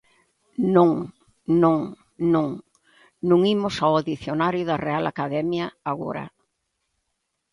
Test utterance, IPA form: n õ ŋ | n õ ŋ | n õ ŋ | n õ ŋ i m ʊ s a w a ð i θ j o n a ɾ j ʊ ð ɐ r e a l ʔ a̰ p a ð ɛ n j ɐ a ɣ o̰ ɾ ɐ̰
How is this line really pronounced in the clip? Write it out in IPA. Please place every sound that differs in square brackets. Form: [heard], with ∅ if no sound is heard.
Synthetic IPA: n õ ŋ | n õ ŋ | n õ ŋ | n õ ŋ i m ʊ s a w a ð i θ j o n a ɾ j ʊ ð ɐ r e a l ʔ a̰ [k] a ð ɛ [m] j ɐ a ɣ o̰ ɾ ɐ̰

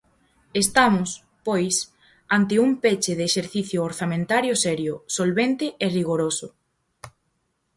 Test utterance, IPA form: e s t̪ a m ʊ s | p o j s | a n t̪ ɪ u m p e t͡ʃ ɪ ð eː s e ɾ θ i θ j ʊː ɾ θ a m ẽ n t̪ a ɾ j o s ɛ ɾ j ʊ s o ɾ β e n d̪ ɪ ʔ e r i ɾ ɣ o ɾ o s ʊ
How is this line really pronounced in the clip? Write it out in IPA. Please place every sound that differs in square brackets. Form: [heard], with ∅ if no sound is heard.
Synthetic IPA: e s t̪ a m ʊ s | p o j s | a n t̪ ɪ u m p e t͡ʃ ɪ ð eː [ʃ] e ɾ θ i θ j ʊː ɾ θ a m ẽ n t̪ a ɾ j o s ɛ ɾ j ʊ s o [l] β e n [t̪] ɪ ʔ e r i [∅] ɣ o ɾ o s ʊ

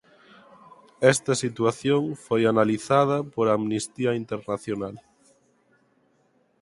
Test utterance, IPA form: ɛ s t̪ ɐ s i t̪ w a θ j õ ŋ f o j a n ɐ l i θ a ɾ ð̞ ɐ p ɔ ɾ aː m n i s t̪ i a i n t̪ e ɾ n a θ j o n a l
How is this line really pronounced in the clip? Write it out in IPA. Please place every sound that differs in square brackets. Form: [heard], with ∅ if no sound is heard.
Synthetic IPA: ɛ s t̪ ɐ s i t̪ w a θ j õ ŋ f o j a n [a] l i θ a [∅] ð̞ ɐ p [o] ɾ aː m n i s t̪ i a i n t̪ e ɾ n a θ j o n a l

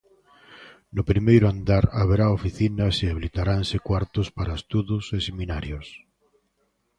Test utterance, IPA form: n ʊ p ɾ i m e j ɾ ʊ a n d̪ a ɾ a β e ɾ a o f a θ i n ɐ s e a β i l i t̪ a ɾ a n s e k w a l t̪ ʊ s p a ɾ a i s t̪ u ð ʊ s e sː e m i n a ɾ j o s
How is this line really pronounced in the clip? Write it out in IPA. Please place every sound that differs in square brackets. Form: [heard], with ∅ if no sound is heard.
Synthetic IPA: n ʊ p ɾ i m e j ɾ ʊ a n d̪ a ɾ a β e ɾ a o f [i] θ i n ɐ s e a β i l i t̪ a ɾ a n s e k w a [ɾ] t̪ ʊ s p a ɾ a [e] s t̪ u ð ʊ s e [s] e m i n a ɾ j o s

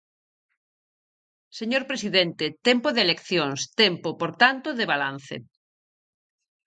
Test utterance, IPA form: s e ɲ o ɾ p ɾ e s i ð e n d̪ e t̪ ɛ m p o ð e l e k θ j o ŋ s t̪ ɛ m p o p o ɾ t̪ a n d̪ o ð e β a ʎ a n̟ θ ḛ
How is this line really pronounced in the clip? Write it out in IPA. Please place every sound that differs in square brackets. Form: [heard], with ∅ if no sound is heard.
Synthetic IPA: s e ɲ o ɾ p ɾ e s i ð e n [t̪] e t̪ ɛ m p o ð e l e k θ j o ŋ s t̪ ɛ m p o p o ɾ t̪ a n [t̪] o ð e β a [l] a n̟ θ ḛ

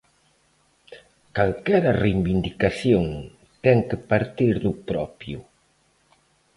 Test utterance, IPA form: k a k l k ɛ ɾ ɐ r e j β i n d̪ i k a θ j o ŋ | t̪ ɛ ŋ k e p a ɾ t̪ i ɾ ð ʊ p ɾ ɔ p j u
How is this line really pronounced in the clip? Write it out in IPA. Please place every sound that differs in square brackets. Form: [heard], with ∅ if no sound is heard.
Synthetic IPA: k a [∅] l k ɛ ɾ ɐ r e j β i n d̪ i k a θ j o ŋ | t̪ ɛ ŋ k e p a ɾ t̪ i ɾ ð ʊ p ɾ ɔ p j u

